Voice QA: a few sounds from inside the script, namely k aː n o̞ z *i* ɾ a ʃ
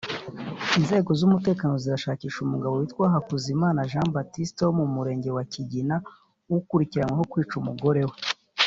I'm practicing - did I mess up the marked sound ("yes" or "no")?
no